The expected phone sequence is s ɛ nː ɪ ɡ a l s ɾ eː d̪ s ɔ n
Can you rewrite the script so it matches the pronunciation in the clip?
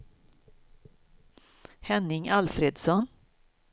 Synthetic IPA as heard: h ɛ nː ɪ ŋ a l f ɾ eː d̪ s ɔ n